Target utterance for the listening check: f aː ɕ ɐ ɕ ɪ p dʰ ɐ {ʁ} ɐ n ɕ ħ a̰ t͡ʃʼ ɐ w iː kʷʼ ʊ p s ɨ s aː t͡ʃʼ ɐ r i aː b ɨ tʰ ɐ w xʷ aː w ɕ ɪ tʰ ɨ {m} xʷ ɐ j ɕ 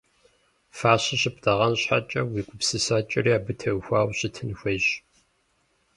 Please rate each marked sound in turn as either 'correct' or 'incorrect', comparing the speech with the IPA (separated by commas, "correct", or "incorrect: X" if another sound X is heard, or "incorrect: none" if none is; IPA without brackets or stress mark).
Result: correct, incorrect: n